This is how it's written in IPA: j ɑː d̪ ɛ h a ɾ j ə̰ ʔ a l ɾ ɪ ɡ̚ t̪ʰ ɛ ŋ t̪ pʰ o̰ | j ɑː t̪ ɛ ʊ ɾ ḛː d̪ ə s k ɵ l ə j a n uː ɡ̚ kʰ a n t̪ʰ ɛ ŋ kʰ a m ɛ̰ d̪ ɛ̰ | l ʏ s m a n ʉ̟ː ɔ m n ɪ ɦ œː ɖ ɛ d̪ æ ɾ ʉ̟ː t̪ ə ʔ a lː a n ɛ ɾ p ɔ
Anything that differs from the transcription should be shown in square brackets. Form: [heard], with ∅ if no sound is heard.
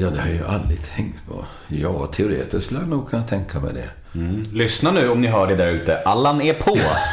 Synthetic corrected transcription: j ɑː d̪ ɛ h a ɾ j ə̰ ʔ a l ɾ ɪ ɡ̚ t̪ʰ ɛ ŋ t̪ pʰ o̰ | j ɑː [t̪ʰ] ɛ ʊ ɾ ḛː [t̪] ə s k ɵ l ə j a n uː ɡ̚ kʰ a n t̪ʰ ɛ ŋ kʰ a m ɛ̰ d̪ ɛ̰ | l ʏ s [n] a n ʉ̟ː ɔ m n ɪ ɦ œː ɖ ɛ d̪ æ ɾ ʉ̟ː t̪ ə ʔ a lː a n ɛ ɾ [pʰ] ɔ